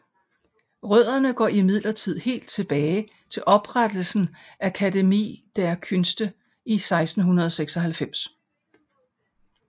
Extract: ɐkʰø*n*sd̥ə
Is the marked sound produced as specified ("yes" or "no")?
yes